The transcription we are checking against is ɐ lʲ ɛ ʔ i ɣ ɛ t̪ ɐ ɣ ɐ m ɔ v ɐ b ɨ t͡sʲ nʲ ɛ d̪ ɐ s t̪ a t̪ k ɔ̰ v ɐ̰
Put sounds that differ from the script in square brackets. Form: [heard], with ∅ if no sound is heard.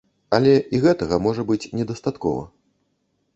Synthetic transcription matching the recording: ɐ lʲ ɛ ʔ i ɣ ɛ t̪ ɐ ɣ ɐ m ɔ [ʐ] ɐ b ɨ t͡sʲ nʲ ɛ d̪ ɐ s t̪ a t̪ k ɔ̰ v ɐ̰